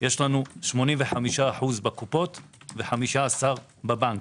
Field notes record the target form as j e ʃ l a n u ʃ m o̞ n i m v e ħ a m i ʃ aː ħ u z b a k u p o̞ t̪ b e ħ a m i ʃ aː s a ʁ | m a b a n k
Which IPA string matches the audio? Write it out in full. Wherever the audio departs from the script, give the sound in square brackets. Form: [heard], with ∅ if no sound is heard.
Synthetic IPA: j e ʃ l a n u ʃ m o̞ n i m v e ħ a m i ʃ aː ħ u z b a k u p o̞ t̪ [v] e ħ a m i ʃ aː s a ʁ | [b] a b a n k